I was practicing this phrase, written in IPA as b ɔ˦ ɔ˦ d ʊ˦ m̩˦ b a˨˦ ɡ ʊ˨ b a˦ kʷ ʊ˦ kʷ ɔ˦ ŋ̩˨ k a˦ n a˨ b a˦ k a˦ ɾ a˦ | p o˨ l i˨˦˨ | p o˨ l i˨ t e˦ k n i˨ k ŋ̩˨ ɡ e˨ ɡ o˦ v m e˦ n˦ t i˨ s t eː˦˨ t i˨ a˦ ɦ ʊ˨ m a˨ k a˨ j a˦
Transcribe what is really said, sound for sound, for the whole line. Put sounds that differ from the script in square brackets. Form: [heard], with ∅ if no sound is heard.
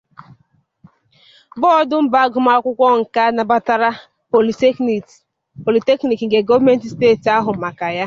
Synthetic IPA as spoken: b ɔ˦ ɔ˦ d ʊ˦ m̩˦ b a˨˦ ɡ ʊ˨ [m] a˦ kʷ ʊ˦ kʷ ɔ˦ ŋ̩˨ k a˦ n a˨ b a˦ [t] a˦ ɾ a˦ | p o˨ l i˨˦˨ | p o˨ l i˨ t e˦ k n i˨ k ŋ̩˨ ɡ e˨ ɡ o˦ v m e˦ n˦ t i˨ s t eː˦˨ t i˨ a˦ ɦ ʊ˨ m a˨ k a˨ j a˦